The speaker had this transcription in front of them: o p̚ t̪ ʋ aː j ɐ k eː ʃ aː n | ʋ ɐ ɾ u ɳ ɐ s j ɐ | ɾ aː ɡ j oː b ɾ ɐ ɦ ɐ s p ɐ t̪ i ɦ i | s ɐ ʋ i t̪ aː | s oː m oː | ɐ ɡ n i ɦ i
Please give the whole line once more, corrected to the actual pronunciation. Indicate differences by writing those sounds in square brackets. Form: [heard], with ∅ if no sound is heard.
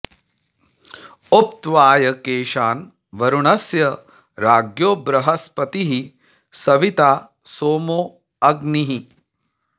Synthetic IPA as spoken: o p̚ t̪ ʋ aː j ɐ k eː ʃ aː n | ʋ ɐ ɾ u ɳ ɐ s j ɐ | ɾ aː ɡ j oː b ɾ ɐ ɦ ɐ s p ɐ t̪ i ɦ i | s ɐ ʋ i t̪ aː | s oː m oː | ɐ ɡ n i ɦ i